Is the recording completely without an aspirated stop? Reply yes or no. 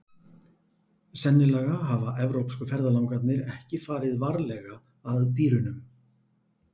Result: yes